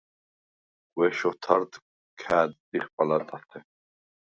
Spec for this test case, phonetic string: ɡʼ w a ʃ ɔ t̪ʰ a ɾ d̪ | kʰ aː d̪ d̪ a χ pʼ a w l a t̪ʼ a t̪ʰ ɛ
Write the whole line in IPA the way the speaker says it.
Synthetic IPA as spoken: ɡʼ w ɛ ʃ ɔ t̪ʰ a ɾ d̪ | kʰ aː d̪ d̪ i χ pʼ a l a t̪ʼ a t̪ʰ ɛ